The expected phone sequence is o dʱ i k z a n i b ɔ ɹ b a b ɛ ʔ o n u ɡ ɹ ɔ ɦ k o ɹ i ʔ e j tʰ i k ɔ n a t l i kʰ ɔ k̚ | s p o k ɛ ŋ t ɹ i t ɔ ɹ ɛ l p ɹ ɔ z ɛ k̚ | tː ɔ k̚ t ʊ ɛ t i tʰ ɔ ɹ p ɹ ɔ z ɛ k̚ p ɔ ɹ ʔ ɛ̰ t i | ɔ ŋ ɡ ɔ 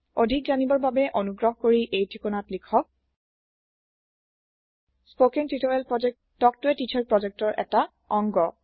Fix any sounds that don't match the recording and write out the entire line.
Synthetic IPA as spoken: o dʱ i k z a n i b ɔ ɹ b a b ɛ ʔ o n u ɡ ɹ ɔ ɦ k o ɹ i ʔ e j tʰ i k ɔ n a t l i kʰ ɔ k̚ | s p o k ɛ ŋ t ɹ i t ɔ ɹ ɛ l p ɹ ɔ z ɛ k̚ | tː ɔ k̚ t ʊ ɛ t i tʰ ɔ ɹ p ɹ ɔ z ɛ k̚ t ɔ ɹ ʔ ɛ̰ t a | ɔ ŋ ɡ ɔ